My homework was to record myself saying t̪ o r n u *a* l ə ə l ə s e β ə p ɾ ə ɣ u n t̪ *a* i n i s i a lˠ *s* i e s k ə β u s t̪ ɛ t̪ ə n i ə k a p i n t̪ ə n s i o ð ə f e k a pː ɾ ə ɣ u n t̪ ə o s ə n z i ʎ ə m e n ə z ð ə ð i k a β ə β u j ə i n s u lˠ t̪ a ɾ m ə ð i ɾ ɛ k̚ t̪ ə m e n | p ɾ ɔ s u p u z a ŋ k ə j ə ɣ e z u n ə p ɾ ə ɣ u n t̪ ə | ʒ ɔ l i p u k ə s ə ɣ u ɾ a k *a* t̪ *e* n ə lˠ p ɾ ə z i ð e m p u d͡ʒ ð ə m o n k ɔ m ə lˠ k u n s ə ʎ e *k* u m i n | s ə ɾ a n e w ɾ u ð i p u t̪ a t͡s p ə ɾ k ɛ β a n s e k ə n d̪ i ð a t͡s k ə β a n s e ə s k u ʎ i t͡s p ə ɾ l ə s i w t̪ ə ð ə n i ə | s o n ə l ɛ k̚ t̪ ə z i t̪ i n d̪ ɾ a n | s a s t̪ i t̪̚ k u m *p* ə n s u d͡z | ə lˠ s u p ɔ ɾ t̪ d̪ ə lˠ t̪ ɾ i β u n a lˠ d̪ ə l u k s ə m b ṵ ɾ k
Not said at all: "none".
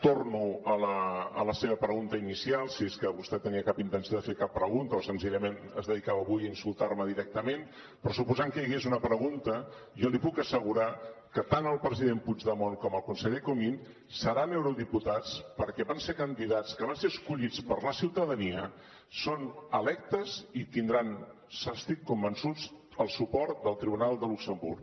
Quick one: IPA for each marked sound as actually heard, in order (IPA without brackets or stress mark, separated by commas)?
ə, ə, s, ə, a, k, b